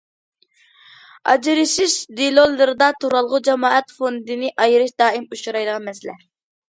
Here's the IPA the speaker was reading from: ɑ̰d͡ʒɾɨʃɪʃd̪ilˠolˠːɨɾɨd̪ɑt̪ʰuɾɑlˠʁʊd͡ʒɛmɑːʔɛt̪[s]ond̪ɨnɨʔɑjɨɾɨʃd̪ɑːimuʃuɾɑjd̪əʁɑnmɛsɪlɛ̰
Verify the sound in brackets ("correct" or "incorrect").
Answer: incorrect